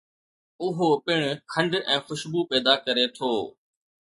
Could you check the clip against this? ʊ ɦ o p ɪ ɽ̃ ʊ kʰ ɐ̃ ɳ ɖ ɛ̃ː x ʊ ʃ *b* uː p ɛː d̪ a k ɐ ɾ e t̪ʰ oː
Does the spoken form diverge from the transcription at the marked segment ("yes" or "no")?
no